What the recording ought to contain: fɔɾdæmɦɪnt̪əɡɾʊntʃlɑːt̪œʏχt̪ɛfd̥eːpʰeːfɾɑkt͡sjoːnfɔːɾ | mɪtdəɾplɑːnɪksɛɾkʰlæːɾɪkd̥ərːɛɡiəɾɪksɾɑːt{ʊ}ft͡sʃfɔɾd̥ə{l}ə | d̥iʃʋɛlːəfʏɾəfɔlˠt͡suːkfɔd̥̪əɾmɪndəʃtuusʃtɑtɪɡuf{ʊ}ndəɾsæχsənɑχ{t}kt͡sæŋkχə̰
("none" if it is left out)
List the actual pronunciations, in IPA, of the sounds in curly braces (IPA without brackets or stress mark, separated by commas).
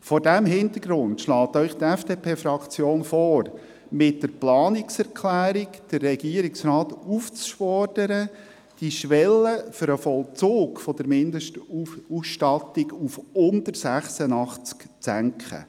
u, ɾ, ʊ, t͡s